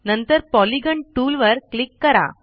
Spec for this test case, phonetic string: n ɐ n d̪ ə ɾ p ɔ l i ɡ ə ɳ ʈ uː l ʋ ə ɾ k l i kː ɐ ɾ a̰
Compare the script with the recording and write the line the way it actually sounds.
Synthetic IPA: n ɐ n t̪ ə ɾ p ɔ l i ɡ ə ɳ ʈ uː l ʋ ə ɾ k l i kː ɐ ɾ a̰